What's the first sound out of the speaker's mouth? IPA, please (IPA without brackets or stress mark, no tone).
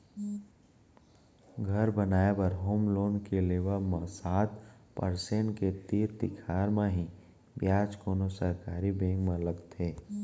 ɡʱ